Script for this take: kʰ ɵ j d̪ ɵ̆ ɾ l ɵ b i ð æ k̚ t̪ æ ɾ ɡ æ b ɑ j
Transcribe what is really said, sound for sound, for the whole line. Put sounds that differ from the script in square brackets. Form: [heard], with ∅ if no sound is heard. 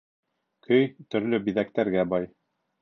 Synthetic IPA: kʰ ɵ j [t̪] ɵ̆ ɾ l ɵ b i ð æ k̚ t̪ æ ɾ ɡ æ b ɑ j